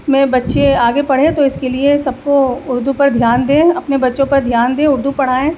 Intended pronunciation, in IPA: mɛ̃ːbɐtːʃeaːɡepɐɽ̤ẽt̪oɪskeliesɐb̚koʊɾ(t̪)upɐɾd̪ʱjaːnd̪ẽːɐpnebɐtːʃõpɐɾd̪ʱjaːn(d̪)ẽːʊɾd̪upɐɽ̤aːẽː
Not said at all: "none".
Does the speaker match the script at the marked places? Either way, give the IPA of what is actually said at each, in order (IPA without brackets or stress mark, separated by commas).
d̪, d̪